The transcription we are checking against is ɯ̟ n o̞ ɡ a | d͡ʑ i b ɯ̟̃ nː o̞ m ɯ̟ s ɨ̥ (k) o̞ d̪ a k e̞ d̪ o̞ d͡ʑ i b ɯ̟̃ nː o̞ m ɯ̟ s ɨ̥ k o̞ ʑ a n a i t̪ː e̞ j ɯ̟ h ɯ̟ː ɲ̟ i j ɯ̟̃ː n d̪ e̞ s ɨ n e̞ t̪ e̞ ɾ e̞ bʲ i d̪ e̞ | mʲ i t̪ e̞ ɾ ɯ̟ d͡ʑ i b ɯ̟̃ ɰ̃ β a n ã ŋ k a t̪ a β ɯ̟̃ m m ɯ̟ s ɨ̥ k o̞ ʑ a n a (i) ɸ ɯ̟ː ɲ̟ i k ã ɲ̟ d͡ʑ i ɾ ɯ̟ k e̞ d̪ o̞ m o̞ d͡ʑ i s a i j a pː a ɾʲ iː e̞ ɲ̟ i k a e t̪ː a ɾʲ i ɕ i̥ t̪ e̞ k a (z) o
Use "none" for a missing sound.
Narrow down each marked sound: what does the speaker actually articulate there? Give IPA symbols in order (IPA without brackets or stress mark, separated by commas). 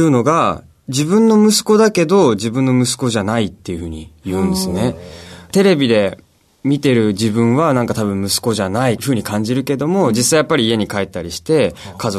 k, i, z